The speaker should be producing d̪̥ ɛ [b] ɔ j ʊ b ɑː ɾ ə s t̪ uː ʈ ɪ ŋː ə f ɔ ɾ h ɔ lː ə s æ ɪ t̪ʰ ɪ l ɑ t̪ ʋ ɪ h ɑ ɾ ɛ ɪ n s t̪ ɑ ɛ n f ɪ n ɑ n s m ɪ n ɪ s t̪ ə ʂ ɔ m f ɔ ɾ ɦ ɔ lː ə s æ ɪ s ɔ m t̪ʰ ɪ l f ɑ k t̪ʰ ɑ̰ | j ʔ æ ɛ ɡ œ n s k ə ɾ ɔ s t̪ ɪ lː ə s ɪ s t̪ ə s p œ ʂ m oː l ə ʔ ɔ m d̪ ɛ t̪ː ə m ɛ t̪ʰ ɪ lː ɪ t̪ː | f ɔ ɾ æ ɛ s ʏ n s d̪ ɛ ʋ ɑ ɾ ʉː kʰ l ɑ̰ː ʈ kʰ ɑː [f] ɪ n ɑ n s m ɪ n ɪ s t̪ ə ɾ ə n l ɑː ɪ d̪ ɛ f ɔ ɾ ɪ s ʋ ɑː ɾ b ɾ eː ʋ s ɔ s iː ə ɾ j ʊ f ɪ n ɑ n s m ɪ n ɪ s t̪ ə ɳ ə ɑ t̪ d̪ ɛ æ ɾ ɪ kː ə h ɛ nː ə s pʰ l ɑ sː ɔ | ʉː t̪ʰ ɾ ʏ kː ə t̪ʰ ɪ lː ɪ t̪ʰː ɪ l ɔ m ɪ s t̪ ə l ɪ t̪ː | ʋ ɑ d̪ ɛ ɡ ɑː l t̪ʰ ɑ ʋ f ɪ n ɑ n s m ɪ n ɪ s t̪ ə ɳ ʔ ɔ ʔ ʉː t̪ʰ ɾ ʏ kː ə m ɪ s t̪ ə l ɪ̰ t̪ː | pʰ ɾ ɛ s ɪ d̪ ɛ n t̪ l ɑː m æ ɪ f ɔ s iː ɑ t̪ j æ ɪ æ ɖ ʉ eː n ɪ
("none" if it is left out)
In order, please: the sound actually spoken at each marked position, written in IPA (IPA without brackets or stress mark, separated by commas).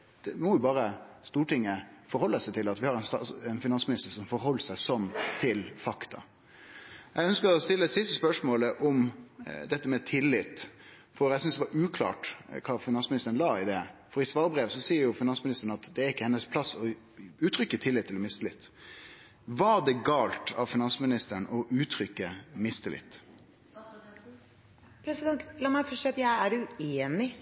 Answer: m, f